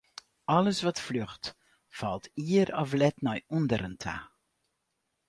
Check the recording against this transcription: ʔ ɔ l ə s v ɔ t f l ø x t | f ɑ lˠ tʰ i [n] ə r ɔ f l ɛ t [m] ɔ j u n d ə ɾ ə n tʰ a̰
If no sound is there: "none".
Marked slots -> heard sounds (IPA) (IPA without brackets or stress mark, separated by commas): none, n